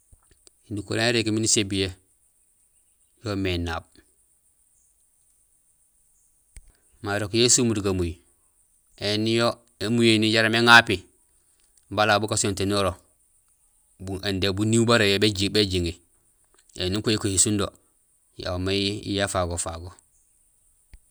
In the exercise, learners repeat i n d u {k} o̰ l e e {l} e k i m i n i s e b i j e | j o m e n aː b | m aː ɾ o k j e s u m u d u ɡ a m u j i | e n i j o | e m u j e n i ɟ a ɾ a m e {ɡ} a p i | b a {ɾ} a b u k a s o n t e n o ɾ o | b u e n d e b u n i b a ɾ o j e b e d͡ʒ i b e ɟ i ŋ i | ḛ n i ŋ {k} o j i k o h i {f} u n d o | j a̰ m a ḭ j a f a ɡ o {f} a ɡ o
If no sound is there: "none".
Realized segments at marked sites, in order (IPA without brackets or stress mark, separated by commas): k, ɾ, ŋ, l, k, s, f